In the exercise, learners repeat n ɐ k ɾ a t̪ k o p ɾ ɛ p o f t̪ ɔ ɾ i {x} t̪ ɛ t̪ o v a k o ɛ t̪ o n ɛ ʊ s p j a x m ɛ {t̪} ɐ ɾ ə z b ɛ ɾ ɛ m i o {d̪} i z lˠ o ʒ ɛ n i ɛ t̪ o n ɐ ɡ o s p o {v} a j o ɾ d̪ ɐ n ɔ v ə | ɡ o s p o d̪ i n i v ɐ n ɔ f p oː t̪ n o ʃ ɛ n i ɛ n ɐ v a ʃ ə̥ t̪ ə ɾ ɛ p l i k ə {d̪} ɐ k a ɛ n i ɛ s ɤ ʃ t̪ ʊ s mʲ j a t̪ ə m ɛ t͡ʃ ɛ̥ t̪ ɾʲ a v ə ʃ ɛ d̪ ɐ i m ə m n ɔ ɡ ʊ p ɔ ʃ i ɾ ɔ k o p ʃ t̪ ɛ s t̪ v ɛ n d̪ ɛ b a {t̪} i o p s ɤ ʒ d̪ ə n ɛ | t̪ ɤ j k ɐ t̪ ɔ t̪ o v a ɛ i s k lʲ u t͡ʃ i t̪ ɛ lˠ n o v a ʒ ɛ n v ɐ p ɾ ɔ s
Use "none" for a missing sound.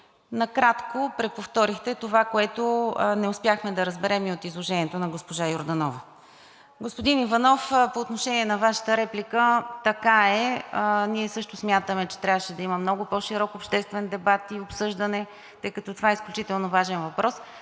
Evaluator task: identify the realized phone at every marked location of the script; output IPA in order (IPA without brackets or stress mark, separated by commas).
x, d̪, t̪, ʒ, t̪, t̪